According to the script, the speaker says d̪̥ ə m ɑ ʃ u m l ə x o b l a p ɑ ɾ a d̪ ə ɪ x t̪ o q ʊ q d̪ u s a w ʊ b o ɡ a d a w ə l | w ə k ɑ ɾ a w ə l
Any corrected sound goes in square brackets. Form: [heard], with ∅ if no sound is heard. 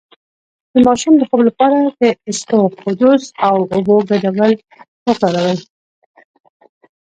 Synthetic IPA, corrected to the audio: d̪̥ ə m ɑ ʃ u m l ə x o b l a p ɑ ɾ a d̪ ə ɪ [s] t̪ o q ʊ [∅] d̪ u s a w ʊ b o ɡ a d a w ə l | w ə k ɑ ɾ a w ə l